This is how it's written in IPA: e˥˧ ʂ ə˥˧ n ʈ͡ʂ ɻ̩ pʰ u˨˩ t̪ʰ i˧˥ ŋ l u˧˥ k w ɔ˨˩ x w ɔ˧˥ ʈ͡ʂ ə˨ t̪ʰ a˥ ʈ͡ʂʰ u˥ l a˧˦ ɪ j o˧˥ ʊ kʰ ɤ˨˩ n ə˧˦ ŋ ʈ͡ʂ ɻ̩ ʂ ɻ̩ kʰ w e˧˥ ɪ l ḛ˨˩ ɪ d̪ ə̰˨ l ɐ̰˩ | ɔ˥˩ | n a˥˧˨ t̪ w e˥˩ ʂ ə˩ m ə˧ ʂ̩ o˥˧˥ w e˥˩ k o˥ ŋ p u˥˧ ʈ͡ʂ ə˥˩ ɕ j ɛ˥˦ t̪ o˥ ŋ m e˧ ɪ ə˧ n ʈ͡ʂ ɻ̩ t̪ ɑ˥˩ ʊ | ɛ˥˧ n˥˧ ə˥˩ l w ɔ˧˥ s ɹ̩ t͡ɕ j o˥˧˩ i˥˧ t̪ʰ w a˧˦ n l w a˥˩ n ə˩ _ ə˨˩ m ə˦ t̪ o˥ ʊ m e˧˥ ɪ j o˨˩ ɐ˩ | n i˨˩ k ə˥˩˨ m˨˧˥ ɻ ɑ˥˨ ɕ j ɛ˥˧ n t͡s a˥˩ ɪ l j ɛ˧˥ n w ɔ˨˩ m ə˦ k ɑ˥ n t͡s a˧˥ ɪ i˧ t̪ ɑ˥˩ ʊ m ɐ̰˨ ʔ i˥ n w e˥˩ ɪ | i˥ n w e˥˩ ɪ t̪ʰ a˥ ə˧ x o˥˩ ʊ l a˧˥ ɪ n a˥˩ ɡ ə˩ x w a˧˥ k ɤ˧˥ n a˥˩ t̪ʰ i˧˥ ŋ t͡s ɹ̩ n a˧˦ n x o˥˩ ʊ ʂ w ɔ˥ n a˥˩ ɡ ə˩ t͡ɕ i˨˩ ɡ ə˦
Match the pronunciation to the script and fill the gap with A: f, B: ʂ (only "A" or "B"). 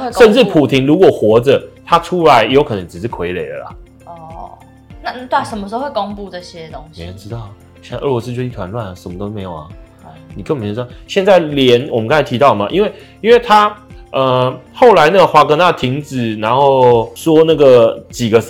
B